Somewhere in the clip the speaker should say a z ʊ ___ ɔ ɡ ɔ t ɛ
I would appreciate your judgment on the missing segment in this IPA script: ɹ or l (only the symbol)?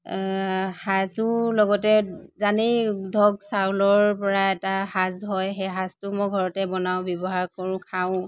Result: l